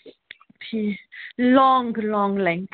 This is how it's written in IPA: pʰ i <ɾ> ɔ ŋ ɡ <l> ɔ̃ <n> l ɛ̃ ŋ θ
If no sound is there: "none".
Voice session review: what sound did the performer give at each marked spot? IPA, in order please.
l, l, ŋ

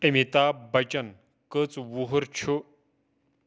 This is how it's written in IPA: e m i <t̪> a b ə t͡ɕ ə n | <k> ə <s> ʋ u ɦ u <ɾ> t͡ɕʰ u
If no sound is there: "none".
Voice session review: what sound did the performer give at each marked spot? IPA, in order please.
t̪, k, t͡s, ɾ

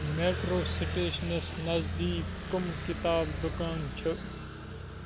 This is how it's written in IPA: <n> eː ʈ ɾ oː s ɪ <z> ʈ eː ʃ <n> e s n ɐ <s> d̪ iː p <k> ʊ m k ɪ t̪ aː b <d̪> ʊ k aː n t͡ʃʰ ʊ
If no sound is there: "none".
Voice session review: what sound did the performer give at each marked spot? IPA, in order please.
m, none, n, z, k, d̪

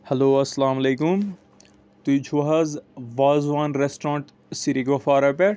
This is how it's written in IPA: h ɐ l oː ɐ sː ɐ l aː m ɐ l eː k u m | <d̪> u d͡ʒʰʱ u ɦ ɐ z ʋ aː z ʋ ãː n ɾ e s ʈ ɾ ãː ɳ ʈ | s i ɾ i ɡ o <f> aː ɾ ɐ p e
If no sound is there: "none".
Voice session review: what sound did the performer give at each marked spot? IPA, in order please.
t̪, f

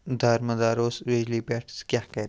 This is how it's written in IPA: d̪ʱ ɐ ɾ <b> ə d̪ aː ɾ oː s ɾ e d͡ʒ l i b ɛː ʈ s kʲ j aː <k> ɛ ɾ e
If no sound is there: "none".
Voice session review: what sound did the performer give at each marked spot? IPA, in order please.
m, k

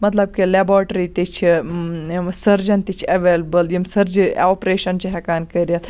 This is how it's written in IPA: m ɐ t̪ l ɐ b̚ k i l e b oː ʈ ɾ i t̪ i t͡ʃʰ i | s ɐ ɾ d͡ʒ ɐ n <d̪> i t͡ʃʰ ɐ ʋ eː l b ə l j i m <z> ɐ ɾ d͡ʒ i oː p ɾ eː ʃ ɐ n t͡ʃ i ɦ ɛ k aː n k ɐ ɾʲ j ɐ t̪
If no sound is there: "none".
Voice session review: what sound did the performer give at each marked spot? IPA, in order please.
t̪, s

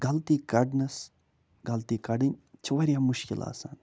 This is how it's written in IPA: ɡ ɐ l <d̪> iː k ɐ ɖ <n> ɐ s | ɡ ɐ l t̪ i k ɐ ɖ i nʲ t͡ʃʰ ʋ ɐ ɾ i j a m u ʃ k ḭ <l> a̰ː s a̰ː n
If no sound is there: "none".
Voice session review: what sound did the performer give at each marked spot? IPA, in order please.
t̪, n, l

